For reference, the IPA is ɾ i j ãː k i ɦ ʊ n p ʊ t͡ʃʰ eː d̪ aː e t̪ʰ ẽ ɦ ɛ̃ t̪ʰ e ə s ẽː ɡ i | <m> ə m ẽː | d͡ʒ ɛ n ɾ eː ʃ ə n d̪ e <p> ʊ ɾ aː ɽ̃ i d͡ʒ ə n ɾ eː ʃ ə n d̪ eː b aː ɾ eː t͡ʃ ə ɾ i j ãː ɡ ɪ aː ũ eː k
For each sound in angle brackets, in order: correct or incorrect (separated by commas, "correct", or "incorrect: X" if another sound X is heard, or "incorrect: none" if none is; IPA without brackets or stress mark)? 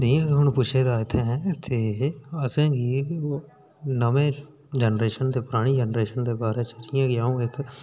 incorrect: n, correct